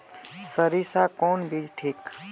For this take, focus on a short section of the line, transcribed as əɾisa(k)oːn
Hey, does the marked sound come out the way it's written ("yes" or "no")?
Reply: yes